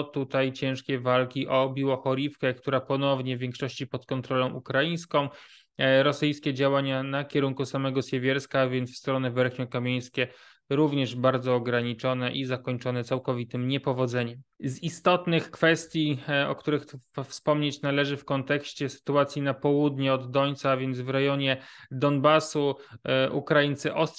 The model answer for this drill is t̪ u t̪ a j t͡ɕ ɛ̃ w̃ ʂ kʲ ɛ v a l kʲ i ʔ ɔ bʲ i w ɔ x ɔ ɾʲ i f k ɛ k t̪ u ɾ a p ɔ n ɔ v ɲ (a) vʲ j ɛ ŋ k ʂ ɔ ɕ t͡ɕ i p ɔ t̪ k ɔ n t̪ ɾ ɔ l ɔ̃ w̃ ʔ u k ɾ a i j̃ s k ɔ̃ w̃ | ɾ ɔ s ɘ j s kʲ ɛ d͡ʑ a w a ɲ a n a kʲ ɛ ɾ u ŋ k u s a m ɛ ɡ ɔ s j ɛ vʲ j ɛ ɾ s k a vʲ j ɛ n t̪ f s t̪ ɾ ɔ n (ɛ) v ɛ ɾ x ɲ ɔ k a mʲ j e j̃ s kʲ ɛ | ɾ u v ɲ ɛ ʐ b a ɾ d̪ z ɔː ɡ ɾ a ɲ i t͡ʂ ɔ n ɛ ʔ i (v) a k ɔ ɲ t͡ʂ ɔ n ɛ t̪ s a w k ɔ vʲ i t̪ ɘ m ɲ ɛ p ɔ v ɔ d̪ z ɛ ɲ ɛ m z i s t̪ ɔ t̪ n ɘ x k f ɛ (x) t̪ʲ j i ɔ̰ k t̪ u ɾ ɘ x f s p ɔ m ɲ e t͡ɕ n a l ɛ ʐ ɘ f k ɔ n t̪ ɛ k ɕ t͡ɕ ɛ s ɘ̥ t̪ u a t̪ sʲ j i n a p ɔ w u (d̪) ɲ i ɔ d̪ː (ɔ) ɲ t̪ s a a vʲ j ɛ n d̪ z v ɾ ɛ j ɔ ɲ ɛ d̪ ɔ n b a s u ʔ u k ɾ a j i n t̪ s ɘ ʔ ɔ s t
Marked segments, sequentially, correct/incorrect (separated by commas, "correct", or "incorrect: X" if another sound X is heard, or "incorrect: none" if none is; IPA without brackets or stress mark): incorrect: ɛ, correct, incorrect: z, incorrect: s, correct, correct